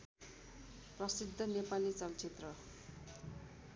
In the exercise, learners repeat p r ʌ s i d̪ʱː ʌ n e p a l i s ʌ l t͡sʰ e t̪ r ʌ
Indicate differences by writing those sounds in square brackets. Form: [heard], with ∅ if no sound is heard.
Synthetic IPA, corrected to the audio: p r ʌ s i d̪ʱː ʌ n e p a l i [t͡s] ʌ l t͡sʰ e t̪ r ʌ